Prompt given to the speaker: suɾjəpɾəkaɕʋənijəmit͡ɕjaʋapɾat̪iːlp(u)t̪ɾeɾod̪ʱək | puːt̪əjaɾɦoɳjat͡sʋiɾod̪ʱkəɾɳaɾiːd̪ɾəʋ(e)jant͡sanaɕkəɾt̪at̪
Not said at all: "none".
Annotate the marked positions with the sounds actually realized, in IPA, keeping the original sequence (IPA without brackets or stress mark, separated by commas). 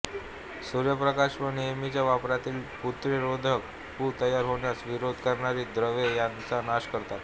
u, e